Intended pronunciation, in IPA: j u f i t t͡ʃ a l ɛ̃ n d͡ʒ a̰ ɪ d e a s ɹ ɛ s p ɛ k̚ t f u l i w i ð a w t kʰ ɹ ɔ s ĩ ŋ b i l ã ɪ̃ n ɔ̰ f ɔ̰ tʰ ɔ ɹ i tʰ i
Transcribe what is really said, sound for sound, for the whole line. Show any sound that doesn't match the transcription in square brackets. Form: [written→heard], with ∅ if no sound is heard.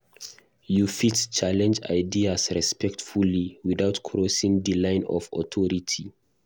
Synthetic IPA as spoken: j u f i t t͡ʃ a l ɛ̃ n d͡ʒ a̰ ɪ d [e→i] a s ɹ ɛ s p ɛ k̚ t f u l i w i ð a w t kʰ ɹ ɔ s ĩ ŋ [b→d] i l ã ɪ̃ n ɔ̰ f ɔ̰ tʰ ɔ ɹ i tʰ i